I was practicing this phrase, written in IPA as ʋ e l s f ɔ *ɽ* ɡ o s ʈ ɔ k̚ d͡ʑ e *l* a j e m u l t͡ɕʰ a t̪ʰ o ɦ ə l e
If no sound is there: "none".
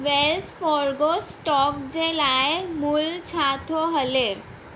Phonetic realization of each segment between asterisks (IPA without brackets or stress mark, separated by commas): ɾ, l